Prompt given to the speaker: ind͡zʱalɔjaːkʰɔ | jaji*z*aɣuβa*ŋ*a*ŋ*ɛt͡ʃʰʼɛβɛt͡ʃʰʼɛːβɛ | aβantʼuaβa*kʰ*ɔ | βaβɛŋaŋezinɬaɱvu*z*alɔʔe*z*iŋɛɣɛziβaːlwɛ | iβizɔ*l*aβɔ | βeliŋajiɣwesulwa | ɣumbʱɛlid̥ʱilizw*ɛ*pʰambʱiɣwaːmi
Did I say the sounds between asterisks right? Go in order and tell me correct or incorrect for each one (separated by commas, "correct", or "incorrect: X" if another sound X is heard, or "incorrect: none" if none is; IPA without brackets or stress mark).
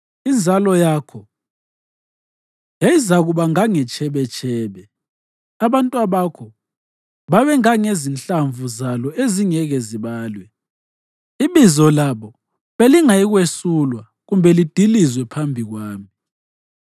correct, correct, correct, correct, correct, correct, correct, correct